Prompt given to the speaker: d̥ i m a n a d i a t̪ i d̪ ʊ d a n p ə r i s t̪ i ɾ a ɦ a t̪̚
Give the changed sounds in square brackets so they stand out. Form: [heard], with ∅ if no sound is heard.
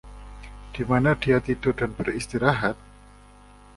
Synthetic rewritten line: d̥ i m a n a d i a t̪ i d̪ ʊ d a n [b] ə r i s t̪ i ɾ a ɦ a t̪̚